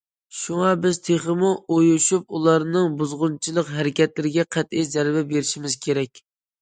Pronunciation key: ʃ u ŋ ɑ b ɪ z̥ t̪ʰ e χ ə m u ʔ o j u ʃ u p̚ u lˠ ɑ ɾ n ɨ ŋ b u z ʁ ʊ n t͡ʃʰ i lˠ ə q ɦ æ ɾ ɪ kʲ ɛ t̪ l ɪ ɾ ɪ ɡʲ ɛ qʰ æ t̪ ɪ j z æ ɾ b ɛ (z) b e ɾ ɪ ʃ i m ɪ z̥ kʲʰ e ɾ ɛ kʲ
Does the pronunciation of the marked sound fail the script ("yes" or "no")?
yes